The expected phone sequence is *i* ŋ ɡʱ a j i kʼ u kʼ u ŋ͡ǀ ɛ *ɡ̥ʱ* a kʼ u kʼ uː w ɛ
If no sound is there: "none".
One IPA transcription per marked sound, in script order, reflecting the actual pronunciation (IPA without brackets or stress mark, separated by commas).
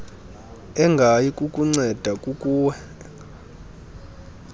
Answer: ɛ, d̥ʱ